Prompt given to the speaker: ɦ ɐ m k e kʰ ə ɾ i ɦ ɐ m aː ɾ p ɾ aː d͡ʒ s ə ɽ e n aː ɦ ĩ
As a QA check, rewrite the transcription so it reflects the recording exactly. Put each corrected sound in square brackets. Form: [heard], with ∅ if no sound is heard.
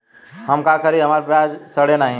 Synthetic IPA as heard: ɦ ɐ m k [a] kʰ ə ɾ i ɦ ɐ m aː ɾ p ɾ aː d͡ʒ s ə ɽ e n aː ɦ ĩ